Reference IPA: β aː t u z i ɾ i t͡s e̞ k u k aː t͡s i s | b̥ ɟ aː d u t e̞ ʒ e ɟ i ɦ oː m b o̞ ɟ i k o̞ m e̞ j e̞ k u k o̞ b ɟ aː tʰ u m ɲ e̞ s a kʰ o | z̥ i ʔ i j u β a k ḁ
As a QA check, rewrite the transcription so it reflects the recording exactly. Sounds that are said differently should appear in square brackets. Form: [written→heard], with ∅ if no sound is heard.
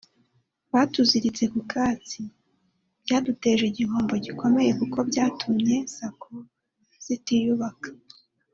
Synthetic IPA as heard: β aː t u z i ɾ i t͡s e̞ k u k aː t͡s i [s→∅] | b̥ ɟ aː d u t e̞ ʒ e ɟ i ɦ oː m b o̞ ɟ i k o̞ m e̞ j e̞ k u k o̞ b ɟ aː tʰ u m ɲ e̞ s a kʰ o | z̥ i [ʔ→t] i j u β a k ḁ

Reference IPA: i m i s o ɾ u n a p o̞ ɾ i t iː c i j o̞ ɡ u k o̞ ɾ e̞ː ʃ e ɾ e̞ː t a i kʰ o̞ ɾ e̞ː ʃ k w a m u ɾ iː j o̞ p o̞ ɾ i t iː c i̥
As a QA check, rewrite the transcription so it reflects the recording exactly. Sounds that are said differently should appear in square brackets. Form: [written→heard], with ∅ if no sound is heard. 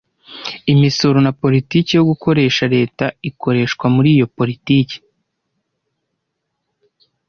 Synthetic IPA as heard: i m i s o ɾ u n a p o̞ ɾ i t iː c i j o̞ ɡ u k o̞ ɾ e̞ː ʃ [e→a] ɾ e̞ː t a i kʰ o̞ ɾ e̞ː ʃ k w a m u ɾ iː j o̞ p o̞ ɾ i t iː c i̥

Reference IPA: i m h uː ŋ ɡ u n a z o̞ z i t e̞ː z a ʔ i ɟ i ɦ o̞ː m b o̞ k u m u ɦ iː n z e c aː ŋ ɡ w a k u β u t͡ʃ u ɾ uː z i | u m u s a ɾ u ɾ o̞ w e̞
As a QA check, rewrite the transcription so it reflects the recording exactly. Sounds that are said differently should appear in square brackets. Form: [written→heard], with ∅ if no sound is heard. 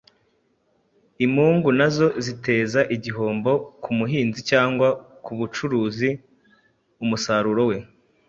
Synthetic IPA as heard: i m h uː ŋ ɡ u n a z o̞ z i t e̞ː z a ʔ i ɟ i ɦ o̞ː m b o̞ k u m u ɦ iː n z [e→i] c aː ŋ ɡ w a k u β u t͡ʃ u ɾ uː z i | u m u s a ɾ u ɾ o̞ w e̞

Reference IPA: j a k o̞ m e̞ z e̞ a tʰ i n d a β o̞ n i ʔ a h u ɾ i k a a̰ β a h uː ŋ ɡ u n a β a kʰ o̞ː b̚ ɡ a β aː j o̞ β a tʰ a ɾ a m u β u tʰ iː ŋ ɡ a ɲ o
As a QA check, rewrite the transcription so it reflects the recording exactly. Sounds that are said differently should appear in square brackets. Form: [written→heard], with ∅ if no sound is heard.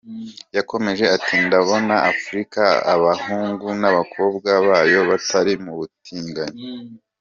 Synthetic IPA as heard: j a k o̞ m e̞ [z→ʒ] e̞ a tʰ i n d a β o̞ n [i→a] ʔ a [h→f] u ɾ i k a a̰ β a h uː ŋ ɡ u n a β a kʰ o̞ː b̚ ɡ a β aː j o̞ β a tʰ a ɾ [a→i] m u β u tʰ iː ŋ ɡ a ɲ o

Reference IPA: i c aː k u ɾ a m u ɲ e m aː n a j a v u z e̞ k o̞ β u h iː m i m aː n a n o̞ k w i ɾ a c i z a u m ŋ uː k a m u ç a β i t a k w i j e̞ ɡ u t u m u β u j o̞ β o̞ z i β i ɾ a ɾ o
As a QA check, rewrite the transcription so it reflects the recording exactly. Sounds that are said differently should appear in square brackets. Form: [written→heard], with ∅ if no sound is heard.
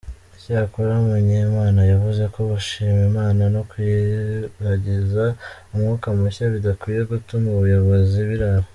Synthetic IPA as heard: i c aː k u ɾ a m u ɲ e m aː n a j a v u z e̞ k o̞ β u [h→ʃ] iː m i m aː n a n o̞ k w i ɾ a [c→ɟ] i z a u m ŋ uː k a m u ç a β i [t→d] a k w i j e̞ ɡ u t u m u β u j o̞ β o̞ z i β i ɾ a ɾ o

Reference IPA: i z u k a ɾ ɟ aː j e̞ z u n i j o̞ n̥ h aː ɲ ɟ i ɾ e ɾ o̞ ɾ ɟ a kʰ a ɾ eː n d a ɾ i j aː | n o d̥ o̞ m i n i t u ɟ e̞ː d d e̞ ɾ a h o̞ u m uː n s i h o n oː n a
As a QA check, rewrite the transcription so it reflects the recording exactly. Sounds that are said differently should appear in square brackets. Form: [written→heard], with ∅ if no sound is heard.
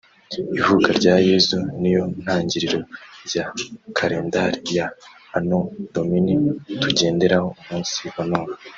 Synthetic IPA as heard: i [z→v] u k a ɾ ɟ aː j e̞ z u n i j o̞ n̥ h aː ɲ ɟ i ɾ [e→i] ɾ o̞ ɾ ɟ a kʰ a ɾ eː n d a ɾ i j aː | n o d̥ o̞ m i n i t u ɟ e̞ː [d→n] d e̞ ɾ a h o̞ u m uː n s i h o n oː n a

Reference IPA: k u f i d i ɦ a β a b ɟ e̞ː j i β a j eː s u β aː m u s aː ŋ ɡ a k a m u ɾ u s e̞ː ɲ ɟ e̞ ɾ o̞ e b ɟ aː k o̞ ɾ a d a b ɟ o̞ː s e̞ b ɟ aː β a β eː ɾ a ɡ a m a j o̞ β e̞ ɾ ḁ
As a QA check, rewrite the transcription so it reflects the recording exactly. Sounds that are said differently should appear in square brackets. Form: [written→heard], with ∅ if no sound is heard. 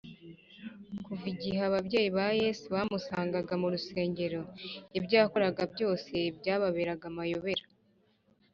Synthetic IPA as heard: k u [f→v] i [d→ɟ] i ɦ a β a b ɟ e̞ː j i β a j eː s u β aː m u s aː ŋ ɡ a [k→ɡ] a m u ɾ u s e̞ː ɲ ɟ e̞ ɾ o̞ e b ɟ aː k o̞ ɾ a [d→ɡ] a b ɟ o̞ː s e̞ b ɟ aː β a β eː ɾ a ɡ a m a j o̞ β e̞ ɾ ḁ

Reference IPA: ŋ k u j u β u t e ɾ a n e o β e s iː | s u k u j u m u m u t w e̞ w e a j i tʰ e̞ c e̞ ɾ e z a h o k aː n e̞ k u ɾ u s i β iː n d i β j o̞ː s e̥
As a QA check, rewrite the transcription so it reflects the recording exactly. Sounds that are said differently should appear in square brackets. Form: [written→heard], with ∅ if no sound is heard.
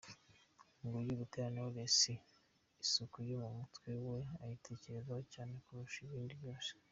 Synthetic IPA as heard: ŋ [k→ɡ] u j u β u t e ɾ a n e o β e s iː | s u k u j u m u m u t w e̞ w e a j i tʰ e̞ c e̞ ɾ e z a h o [k→c] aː n e̞ k u ɾ u [s→ʃ] i β iː n d i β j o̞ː s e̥

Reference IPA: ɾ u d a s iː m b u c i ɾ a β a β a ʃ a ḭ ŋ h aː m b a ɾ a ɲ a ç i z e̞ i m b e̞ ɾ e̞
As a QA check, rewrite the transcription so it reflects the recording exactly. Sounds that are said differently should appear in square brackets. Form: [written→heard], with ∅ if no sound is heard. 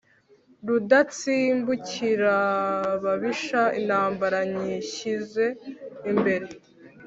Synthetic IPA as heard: ɾ u d a [s→t͡s] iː m b u c i ɾ a β a β [a→i] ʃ a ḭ [ŋ→n] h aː m b a ɾ a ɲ [a→i] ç i z e̞ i m b e̞ ɾ e̞

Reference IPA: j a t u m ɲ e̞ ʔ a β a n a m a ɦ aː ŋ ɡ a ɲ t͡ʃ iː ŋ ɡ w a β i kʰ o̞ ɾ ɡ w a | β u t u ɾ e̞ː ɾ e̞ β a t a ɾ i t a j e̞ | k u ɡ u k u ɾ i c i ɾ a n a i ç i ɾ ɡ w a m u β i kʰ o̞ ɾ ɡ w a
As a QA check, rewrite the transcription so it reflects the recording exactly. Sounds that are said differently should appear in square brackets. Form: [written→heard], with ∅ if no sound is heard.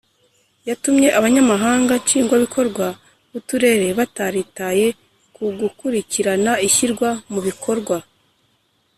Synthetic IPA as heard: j a t u m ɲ e̞ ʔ a β a [n→ɲ] a m a ɦ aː ŋ ɡ a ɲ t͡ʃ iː ŋ ɡ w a β i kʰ o̞ ɾ ɡ w a | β u t u ɾ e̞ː ɾ e̞ β a t a ɾ i t a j e̞ | k u ɡ u k u ɾ i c i ɾ a n a i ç i ɾ ɡ w a m u β i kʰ o̞ ɾ ɡ w a

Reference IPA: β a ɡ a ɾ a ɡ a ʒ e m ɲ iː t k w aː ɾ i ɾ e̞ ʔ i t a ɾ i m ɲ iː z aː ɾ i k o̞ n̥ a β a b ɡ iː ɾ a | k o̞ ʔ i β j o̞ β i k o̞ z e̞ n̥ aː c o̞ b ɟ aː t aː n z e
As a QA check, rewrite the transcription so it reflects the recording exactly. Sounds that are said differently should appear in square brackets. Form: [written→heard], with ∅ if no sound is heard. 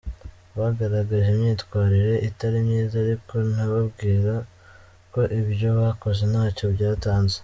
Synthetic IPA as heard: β a ɡ a ɾ a ɡ a ʒ e m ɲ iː t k w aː ɾ i ɾ e̞ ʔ i t a ɾ i m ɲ iː z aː ɾ i k o̞ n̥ a β a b ɡ iː ɾ a | k o̞ ʔ i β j o̞ β [i→a] k o̞ z e̞ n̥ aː c o̞ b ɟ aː t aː n z e

